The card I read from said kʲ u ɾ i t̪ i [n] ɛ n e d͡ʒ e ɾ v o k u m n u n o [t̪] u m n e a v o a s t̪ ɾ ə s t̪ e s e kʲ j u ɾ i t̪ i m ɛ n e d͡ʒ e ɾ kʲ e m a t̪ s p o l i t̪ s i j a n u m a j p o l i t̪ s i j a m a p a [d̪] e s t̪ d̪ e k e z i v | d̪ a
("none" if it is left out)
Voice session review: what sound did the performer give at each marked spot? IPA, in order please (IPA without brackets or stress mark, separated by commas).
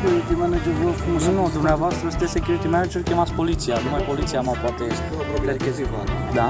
m, d̪, t̪